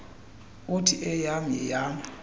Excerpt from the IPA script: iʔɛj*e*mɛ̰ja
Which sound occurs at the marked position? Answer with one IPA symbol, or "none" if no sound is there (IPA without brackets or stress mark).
a